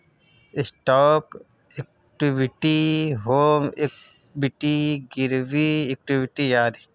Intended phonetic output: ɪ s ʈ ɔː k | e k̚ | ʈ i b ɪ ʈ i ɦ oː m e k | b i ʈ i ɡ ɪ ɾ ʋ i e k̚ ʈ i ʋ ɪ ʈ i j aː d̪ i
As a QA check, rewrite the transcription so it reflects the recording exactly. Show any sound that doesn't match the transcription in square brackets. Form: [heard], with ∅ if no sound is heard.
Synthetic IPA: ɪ s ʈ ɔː k | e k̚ | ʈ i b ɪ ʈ i ɦ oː m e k | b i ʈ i ɡ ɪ ɾ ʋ i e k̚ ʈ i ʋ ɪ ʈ i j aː d̪ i